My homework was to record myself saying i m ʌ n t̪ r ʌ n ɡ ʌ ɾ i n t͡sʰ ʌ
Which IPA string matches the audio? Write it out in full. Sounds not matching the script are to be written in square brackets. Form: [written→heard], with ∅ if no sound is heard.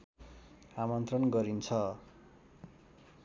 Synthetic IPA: [i→a] m ʌ n t̪ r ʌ n ɡ ʌ ɾ i n t͡sʰ ʌ

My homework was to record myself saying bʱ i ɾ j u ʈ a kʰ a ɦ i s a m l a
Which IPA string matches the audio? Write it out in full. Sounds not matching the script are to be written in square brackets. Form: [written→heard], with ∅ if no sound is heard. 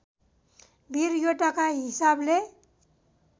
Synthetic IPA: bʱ i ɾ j [u→o] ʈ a [kʰ→k] a ɦ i s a [m→b] l [a→e]

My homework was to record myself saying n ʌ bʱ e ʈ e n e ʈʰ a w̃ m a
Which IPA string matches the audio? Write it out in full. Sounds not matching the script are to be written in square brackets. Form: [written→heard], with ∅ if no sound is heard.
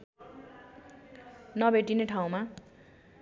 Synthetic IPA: n ʌ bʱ e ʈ [e→i] n e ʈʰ a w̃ m a

